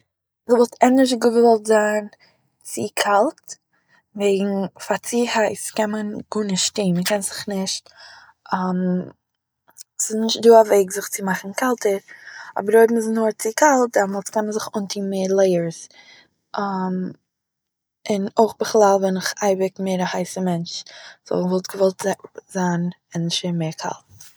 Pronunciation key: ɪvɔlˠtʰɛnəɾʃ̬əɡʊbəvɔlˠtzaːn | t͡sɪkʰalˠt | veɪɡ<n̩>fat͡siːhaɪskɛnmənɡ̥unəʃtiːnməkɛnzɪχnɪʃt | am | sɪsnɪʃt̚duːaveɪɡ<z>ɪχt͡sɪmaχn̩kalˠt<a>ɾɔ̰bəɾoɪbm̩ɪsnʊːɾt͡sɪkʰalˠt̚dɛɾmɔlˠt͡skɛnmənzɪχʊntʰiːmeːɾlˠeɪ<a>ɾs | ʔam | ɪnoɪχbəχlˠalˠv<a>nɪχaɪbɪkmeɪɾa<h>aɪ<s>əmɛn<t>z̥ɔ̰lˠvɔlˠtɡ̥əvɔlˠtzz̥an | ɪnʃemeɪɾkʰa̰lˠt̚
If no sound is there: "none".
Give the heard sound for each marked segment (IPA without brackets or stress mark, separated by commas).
ŋ̩, z, ə, ə, ɛ, h, s, t͡ʃ